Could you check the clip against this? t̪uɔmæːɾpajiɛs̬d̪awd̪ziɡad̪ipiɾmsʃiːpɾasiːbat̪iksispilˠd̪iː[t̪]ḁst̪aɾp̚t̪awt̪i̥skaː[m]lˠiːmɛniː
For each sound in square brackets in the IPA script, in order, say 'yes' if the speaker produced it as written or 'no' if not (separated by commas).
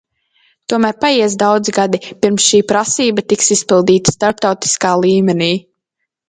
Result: yes, no